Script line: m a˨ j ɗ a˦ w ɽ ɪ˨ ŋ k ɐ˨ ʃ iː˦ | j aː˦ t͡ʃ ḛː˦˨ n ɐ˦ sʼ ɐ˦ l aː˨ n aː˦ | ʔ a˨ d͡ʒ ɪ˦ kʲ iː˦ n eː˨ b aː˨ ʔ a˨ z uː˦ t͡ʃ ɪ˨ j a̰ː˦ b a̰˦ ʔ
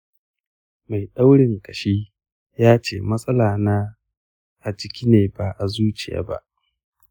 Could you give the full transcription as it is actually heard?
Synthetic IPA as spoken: m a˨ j ɗ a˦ w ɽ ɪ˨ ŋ k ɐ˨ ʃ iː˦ | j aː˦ t͡ʃ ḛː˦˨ m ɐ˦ sʼ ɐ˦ l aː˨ n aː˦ | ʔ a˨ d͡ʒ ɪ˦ kʲ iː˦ n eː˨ b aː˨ ʔ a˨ z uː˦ t͡ʃ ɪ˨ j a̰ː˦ b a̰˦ ʔ

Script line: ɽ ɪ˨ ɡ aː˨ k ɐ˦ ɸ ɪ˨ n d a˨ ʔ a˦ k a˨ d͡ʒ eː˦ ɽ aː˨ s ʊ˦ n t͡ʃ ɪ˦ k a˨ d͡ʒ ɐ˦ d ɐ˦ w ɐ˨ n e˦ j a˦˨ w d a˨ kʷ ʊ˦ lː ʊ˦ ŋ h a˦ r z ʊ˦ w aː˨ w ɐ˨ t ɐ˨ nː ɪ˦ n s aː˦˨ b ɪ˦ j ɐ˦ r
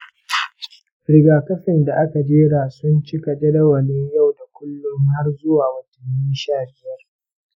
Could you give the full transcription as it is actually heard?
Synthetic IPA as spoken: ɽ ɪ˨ ɡ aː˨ k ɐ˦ ɸ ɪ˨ n d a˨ ʔ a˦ k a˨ d͡ʒ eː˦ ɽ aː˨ s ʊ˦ n t͡ʃ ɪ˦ k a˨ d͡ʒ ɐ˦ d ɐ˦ w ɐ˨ n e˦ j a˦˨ w d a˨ kʷ ʊ˦ lː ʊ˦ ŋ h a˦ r z ʊ˦ w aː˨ w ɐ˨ t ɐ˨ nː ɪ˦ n ʃ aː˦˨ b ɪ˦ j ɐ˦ r

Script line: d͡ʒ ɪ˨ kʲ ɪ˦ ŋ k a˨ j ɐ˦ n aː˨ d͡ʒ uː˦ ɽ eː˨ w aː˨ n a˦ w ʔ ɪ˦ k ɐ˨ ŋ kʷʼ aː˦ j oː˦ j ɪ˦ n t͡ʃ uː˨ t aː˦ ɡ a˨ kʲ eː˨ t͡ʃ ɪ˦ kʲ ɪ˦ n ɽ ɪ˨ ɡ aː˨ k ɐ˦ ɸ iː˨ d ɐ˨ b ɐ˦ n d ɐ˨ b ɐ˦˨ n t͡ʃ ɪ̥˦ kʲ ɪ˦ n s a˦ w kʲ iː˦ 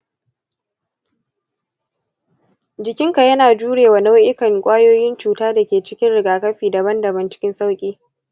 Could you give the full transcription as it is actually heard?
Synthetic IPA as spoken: d͡ʒ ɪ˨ kʲ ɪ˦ ŋ k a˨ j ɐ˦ n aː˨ d͡ʒ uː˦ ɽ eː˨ w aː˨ n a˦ w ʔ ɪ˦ k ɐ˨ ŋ kʷʼ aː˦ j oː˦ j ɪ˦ n t͡ʃ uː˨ t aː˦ d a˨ kʲ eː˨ t͡ʃ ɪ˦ kʲ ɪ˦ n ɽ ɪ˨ ɡ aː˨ k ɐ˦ ɸ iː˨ d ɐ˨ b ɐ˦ n d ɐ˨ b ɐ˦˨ n t͡ʃ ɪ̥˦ kʲ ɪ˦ n s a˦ w kʲʼ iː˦

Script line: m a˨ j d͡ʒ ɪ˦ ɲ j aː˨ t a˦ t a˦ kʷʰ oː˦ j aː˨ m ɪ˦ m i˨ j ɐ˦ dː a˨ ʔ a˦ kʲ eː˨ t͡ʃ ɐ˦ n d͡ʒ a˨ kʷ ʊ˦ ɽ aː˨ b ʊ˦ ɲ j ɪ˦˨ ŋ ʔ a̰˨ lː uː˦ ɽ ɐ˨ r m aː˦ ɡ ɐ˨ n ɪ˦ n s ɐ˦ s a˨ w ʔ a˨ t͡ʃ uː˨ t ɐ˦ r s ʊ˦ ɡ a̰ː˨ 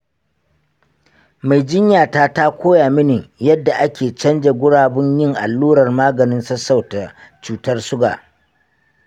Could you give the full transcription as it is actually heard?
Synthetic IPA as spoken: m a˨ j d͡ʒ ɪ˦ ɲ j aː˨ t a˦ t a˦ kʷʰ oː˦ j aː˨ m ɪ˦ n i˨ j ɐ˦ dː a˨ ʔ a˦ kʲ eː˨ t͡ʃ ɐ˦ n d͡ʒ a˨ ɡʷ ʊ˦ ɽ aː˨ b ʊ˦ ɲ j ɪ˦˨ ŋ ʔ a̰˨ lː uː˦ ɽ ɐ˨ r m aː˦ ɡ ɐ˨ n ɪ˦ n s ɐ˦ s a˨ w t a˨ t͡ʃ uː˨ t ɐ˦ r s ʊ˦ ɡ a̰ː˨

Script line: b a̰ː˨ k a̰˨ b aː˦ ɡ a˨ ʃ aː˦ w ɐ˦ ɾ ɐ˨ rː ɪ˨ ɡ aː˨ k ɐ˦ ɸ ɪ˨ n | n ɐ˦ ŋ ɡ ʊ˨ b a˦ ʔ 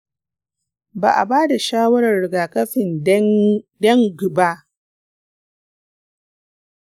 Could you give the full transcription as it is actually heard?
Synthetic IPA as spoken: b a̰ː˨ ʔ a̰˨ b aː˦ d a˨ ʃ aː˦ w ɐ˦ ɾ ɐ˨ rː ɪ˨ ɡ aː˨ k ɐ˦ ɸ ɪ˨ n | d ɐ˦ ŋ ɡ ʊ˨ b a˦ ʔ

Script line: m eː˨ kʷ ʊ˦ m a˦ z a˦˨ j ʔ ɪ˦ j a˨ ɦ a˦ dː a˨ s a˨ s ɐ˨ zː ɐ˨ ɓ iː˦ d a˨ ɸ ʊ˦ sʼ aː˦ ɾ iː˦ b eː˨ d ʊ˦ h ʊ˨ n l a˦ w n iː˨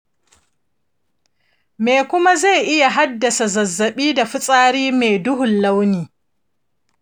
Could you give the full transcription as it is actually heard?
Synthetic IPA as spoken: m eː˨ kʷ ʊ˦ m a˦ z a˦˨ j ʔ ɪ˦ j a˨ ɦ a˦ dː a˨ s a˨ z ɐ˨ zː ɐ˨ ɓ iː˦ d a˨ ɸ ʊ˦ sʼ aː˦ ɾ iː˦ m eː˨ d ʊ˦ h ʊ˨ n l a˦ w n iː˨

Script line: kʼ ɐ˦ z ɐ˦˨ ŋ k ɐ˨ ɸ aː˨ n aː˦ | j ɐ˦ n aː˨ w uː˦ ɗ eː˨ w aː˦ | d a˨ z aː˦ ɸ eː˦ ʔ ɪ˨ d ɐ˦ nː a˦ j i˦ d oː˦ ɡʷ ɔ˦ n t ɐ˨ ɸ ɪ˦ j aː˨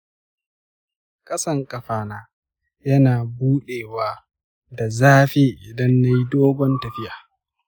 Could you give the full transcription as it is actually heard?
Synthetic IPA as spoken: kʼ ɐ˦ s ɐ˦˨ ŋ kʼ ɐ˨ ɸ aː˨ n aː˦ | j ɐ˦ n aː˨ b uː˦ ɗ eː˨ w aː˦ | d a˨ z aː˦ ɸ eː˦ ʔ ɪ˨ d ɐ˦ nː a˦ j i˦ d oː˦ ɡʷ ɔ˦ n t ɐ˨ ɸ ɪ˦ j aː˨

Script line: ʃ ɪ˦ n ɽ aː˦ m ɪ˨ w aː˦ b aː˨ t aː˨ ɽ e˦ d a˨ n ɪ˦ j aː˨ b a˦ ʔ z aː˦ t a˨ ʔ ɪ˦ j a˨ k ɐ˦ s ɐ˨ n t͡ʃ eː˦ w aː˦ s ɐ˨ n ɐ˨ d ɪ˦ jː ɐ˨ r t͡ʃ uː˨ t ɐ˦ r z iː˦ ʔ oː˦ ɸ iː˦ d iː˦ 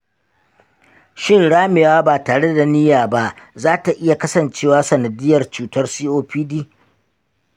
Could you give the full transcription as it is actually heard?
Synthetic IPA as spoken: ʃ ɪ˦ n ɽ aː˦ m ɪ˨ w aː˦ b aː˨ t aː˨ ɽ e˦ d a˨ n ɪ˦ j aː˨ b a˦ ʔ z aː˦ t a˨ ʔ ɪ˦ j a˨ k ɐ˦ s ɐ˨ n t͡ʃ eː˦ w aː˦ s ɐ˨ n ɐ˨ d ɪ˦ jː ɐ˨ r t͡ʃ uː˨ t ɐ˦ r s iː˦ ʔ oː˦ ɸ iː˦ d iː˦

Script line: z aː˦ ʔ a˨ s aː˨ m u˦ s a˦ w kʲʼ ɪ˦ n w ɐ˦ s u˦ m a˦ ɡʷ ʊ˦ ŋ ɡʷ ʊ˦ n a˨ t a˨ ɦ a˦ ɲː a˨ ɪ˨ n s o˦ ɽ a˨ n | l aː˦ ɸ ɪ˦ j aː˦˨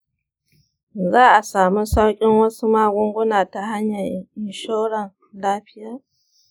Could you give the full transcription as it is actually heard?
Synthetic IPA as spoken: z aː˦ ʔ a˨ s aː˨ m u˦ s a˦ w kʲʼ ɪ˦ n w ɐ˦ s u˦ m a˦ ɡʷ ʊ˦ ŋ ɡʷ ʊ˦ n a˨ t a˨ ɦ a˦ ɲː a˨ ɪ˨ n ʃ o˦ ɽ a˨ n | l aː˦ ɸ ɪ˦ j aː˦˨

